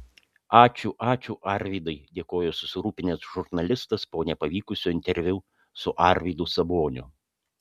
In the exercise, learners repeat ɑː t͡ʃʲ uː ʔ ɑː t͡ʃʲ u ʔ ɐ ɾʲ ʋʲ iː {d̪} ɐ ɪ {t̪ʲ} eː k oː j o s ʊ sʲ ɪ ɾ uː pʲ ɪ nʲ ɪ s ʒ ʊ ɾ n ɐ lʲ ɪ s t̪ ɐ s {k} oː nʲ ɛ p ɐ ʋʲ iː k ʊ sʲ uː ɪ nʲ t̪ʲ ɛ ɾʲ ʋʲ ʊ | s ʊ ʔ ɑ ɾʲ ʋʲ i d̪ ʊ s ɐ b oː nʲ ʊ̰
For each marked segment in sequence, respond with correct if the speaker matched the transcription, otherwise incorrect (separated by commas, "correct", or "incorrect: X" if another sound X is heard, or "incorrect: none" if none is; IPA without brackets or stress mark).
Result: correct, incorrect: d̪ʲ, incorrect: p